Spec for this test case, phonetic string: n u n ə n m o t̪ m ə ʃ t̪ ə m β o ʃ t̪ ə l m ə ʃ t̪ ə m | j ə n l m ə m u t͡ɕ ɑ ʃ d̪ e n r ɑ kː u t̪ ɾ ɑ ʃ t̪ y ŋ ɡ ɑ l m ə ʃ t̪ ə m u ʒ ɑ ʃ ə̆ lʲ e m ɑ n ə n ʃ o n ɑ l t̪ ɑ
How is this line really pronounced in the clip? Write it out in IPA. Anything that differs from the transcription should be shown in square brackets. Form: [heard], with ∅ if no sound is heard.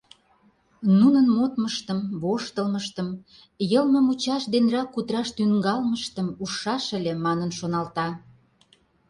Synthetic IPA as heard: n u n ə n m o t̪ m ə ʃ t̪ ə m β o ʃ t̪ ə l m ə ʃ t̪ ə m | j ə [∅] l m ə m u t͡ɕ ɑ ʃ d̪ e n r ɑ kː u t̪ ɾ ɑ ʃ t̪ y ŋ ɡ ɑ l m ə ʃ t̪ ə m u [ʃ] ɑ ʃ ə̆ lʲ e m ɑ n ə n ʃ o n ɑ l t̪ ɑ